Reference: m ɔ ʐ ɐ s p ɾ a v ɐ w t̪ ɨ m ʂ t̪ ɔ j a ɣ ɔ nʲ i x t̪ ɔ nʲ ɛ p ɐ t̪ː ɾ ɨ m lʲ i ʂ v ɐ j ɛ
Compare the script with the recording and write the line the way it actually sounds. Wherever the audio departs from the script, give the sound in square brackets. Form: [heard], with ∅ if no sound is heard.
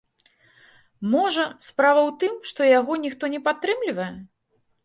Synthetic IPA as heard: m ɔ ʐ ɐ s p ɾ a v ɐ w t̪ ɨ m ʂ t̪ ɔ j a ɣ ɔ nʲ i x t̪ ɔ nʲ ɛ p [a] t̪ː ɾ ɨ m lʲ i [∅] v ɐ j ɛ